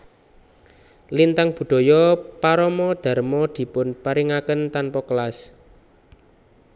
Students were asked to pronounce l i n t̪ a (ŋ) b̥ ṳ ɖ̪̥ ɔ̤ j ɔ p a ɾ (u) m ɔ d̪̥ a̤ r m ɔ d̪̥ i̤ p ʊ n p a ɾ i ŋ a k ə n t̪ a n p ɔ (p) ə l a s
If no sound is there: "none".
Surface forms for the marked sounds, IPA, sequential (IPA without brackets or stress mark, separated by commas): ŋ, ɔ, k